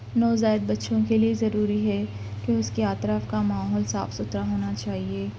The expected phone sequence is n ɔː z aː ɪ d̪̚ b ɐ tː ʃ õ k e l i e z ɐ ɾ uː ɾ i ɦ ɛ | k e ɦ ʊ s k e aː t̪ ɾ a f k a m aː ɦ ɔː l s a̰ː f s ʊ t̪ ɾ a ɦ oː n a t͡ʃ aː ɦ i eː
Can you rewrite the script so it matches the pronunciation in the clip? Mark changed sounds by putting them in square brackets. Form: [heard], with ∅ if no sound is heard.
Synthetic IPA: n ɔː z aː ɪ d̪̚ b ɐ tː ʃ õ k e l i e z ɐ ɾ uː ɾ i ɦ ɛ | k e [∅] ʊ s k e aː t̪ ɾ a f k a m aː ɦ ɔː l s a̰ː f s ʊ t̪ ɾ a ɦ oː n a t͡ʃ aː ɦ i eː